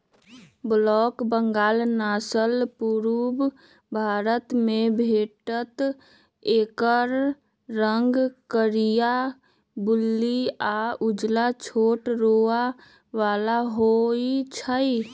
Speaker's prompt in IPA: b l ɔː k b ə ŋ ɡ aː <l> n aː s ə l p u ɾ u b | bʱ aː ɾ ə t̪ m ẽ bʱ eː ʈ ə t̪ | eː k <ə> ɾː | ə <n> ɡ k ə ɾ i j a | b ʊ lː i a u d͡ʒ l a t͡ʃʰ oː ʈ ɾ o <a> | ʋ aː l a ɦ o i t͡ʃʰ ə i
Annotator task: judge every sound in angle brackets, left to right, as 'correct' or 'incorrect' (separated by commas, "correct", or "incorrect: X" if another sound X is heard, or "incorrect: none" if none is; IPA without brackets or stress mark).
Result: correct, correct, incorrect: ŋ, correct